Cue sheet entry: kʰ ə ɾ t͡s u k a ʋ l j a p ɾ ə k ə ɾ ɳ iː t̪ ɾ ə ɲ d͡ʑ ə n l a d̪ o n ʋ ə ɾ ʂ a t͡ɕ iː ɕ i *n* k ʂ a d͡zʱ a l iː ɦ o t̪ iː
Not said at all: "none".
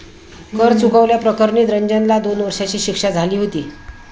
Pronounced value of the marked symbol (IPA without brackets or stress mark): none